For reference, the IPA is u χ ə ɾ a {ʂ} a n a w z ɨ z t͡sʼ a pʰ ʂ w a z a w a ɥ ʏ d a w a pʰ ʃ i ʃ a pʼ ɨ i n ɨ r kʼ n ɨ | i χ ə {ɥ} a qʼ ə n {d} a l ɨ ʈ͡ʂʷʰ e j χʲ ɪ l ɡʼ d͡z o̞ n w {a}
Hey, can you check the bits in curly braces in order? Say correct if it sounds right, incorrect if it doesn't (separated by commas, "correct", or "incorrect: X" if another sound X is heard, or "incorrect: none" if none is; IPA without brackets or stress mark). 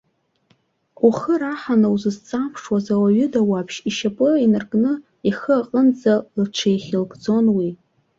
incorrect: ħ, incorrect: none, incorrect: d͡z, incorrect: i